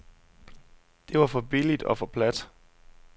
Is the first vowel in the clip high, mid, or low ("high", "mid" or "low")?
mid